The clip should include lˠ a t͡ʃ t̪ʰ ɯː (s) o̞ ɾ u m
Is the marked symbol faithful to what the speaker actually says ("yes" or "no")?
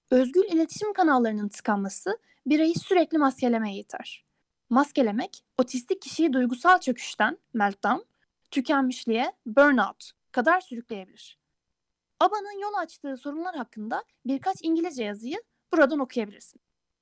yes